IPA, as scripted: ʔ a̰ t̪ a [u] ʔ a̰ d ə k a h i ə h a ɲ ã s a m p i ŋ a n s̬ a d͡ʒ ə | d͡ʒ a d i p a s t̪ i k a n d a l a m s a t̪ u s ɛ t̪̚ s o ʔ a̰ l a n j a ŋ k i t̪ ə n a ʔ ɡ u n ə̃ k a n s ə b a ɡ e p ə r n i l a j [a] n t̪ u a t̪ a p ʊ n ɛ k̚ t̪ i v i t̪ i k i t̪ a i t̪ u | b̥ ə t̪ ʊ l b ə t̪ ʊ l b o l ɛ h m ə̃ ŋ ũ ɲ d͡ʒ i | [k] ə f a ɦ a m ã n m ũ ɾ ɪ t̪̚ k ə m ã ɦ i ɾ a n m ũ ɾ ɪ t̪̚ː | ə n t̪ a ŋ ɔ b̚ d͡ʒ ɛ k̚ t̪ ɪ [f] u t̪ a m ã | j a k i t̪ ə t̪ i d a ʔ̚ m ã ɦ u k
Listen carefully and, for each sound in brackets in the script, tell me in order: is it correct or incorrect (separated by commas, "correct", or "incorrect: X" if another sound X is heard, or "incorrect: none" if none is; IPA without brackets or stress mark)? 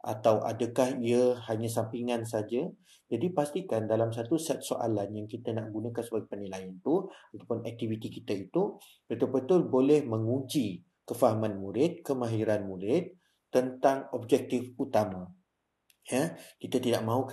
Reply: incorrect: w, correct, correct, correct